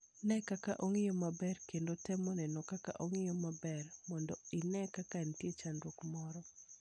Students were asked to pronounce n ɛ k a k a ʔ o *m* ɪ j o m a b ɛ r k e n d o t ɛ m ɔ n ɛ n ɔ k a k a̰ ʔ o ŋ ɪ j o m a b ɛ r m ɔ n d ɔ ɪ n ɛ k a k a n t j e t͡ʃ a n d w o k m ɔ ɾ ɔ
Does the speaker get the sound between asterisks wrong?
yes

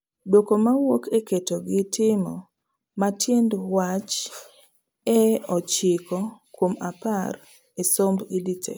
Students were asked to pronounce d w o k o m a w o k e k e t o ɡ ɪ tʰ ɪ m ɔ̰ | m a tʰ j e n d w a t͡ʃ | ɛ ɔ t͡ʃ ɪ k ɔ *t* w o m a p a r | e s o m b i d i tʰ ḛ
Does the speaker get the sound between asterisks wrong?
yes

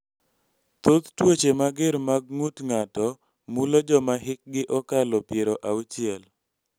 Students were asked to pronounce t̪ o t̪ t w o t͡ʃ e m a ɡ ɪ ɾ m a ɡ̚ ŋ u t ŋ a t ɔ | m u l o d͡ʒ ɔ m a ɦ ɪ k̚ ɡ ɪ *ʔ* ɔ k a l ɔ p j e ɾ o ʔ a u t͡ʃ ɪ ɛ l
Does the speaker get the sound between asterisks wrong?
no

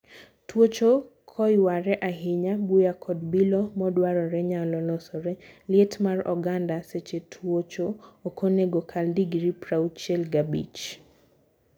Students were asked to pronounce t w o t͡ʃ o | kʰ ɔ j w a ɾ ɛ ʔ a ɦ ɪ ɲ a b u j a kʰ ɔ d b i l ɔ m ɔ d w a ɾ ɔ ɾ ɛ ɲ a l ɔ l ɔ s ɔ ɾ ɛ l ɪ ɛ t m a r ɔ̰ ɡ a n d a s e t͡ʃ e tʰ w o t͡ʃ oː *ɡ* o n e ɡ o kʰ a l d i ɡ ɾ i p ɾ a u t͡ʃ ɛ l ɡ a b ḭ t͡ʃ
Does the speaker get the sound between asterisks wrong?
yes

